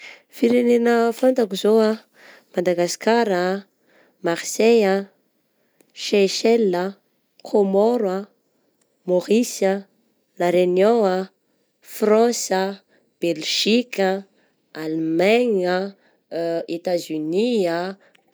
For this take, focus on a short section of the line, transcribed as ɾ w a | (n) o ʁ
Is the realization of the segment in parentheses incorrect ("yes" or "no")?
yes